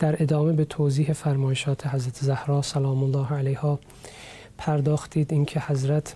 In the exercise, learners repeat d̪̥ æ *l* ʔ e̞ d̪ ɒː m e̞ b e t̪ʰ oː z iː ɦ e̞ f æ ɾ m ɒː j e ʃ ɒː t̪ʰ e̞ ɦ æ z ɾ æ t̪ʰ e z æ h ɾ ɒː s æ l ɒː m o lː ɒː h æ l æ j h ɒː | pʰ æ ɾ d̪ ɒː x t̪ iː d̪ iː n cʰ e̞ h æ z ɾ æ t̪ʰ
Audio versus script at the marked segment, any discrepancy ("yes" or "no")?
yes